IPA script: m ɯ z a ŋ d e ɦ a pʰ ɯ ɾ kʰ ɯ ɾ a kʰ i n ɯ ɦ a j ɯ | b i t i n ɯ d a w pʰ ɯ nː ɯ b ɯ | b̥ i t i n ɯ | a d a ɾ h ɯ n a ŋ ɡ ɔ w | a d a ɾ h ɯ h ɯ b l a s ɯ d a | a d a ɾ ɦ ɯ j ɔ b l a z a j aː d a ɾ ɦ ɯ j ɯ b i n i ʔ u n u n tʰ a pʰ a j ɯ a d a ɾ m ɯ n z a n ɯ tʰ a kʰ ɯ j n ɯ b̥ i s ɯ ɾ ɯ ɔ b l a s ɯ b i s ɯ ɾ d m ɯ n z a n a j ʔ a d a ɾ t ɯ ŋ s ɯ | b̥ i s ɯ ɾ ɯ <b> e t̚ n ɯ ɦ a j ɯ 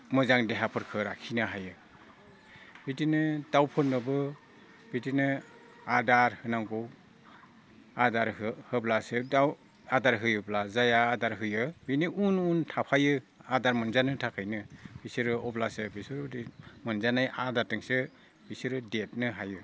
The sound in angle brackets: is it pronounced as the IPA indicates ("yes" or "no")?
no